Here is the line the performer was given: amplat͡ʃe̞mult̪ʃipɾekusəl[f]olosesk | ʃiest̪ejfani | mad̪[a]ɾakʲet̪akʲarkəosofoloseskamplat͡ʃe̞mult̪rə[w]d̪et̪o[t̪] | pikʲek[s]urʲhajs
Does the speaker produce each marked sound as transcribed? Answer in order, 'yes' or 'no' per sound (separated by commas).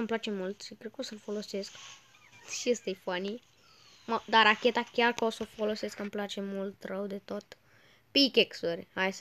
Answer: yes, yes, yes, yes, yes